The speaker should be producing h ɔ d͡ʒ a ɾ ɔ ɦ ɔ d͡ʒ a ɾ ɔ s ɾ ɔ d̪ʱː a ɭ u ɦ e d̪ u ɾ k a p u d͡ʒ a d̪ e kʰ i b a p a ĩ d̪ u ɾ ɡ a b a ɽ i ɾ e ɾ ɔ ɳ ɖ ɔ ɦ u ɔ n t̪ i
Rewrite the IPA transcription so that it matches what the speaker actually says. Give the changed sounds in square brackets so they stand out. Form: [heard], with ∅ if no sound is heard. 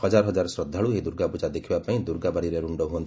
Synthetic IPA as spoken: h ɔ d͡ʒ a ɾ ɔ ɦ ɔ d͡ʒ a ɾ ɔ s ɾ ɔ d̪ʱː a ɭ u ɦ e d̪ u ɾ [ɡ] a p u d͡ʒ a d̪ e kʰ i b a p a ĩ d̪ u ɾ ɡ a b a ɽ i ɾ e ɾ [u] ɳ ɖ ɔ ɦ u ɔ n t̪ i